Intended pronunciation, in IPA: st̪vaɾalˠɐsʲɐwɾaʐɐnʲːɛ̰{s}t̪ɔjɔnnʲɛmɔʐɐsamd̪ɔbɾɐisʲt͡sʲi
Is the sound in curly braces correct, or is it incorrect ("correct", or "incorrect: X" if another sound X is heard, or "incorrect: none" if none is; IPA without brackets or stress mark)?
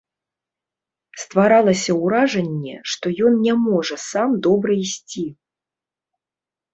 incorrect: ʂ